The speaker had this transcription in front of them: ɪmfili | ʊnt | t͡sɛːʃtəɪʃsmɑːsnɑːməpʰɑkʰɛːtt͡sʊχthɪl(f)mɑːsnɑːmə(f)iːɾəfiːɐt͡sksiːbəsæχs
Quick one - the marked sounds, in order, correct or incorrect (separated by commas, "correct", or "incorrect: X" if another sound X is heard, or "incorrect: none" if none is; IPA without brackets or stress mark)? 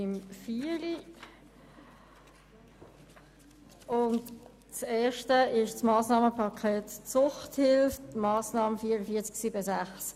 correct, correct